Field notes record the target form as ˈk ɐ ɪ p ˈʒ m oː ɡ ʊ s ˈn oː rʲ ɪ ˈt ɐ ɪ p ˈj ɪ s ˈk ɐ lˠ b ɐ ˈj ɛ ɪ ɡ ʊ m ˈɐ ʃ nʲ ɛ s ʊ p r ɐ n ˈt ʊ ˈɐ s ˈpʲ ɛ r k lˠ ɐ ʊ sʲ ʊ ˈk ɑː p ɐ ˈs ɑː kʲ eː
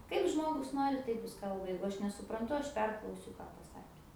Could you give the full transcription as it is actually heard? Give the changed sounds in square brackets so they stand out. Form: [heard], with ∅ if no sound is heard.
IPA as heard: ˈk ɐ ɪ p ˈʒ m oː ɡ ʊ s ˈn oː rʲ ɪ ˈt ɐ ɪ p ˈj ɪ s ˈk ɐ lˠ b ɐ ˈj ɛ ɪ ɡ ʊ [∅] ˈɐ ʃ nʲ ɛ s ʊ p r ɐ n ˈt ʊ ˈɐ [ʃ] ˈpʲ ɛ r k lˠ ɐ ʊ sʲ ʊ ˈk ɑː p ɐ ˈs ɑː kʲ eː

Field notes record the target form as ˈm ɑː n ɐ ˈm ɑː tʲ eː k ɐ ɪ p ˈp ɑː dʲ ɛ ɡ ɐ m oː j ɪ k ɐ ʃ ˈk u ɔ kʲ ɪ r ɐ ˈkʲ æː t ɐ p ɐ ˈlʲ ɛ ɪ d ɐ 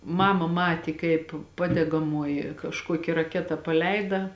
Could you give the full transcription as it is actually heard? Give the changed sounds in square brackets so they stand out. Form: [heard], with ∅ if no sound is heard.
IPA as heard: ˈm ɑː [m] ɐ ˈm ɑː tʲ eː k ɐ ɪ p ˈp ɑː dʲ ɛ ɡ ɐ m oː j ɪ k ɐ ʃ ˈk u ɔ kʲ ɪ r ɐ ˈkʲ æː t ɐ p ɐ ˈlʲ ɛ ɪ d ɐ

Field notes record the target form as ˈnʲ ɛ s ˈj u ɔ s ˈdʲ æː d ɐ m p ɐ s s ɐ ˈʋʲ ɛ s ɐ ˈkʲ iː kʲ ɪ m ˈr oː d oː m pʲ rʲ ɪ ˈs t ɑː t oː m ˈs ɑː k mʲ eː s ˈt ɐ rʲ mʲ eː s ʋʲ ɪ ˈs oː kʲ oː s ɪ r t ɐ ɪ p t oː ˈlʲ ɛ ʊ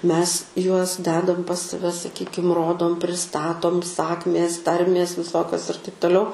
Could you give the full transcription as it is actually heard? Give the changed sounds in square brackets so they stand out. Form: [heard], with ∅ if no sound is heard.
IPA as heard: [ˈmʲ] ɛ s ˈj u ɔ s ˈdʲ æː d ɐ m p ɐ s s ɐ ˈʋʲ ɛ s ɐ ˈkʲ iː kʲ ɪ m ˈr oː d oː m pʲ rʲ ɪ ˈs t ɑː t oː m ˈs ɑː k mʲ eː s ˈt ɐ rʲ mʲ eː s ʋʲ ɪ ˈs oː kʲ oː s ɪ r t ɐ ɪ p t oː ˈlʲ ɛ ʊ

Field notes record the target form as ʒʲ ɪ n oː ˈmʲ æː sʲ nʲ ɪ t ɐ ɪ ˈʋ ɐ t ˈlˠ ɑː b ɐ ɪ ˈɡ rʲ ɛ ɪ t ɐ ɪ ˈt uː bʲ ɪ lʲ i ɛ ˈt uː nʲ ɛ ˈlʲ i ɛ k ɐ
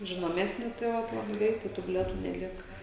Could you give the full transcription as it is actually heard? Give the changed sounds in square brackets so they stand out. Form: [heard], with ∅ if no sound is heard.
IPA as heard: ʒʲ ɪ n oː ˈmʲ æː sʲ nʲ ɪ t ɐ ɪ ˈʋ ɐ t ˈlˠ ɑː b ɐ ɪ ˈɡ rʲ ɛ ɪ t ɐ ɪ ˈt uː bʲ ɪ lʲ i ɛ ˈt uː nʲ ɛ ˈlʲ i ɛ k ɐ

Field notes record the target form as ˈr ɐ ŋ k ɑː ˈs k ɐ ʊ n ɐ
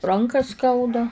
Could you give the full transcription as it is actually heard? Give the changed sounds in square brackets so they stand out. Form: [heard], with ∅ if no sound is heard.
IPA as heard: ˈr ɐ ŋ k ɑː ˈs k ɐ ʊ [d] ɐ

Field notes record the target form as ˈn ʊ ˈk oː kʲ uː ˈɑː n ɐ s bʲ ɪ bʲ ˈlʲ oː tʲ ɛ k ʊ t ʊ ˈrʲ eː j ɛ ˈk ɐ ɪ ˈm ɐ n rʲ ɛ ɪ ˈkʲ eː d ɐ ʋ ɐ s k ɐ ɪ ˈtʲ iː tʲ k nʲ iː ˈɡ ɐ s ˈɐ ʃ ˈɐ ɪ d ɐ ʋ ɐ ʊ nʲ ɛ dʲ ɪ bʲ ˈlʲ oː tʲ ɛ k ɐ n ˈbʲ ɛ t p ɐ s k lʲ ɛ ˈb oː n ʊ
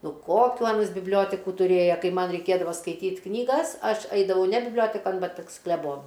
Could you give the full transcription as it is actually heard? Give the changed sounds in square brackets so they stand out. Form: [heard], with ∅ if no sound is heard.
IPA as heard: ˈn ʊ ˈk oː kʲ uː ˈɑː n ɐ s bʲ ɪ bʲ ˈlʲ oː tʲ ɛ k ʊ t ʊ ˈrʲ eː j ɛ ˈk ɐ ɪ ˈm ɐ n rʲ ɛ ɪ ˈkʲ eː d ɐ ʋ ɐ s k ɐ ɪ ˈtʲ iː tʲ k nʲ iː ˈɡ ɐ s ˈɐ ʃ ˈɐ ɪ d ɐ ʋ ɐ ʊ nʲ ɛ [bʲ] ɪ bʲ ˈlʲ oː tʲ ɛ k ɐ n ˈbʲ ɛ t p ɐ s k lʲ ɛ ˈb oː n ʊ

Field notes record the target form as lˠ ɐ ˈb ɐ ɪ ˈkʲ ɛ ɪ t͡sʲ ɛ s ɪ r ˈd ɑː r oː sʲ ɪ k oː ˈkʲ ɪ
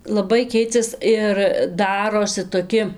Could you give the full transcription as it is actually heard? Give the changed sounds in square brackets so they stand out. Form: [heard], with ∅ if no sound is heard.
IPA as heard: lˠ ɐ ˈb ɐ ɪ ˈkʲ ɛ ɪ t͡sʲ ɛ s ɪ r ˈd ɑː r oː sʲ ɪ [t] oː ˈkʲ ɪ

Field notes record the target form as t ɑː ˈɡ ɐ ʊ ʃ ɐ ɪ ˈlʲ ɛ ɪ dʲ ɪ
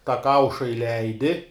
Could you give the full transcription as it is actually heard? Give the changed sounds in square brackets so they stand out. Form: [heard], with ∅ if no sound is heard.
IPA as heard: t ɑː [ˈk] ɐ ʊ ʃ ɐ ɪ ˈlʲ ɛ ɪ dʲ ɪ

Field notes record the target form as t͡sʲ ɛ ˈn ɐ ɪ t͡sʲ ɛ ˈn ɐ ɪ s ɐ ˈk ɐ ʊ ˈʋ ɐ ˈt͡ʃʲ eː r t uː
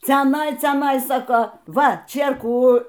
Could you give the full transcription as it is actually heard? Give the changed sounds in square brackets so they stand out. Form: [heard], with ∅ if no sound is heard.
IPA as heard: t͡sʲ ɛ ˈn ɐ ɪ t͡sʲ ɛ ˈn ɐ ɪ s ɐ ˈk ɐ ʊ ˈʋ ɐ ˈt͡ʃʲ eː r [k] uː

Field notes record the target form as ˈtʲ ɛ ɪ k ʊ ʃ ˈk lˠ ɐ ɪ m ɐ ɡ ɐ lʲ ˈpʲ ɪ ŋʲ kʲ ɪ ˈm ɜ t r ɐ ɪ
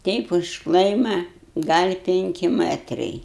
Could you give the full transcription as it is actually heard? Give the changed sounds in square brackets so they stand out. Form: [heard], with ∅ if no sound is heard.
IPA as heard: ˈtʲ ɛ ɪ [p] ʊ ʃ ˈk lˠ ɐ ɪ m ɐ ɡ ɐ lʲ ˈpʲ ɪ ŋʲ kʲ ɪ ˈm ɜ t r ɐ ɪ

